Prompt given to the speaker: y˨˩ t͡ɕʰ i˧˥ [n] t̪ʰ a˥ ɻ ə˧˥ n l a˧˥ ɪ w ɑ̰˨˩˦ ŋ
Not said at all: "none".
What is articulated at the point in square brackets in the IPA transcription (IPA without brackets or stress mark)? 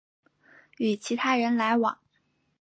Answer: none